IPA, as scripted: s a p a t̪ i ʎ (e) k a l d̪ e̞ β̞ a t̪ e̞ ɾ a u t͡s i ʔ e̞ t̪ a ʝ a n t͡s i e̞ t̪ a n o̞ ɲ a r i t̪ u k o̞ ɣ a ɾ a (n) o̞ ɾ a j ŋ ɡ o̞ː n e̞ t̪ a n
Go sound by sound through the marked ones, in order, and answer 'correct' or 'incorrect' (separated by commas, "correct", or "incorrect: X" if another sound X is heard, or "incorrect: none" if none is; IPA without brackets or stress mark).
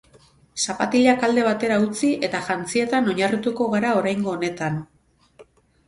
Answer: incorrect: a, incorrect: none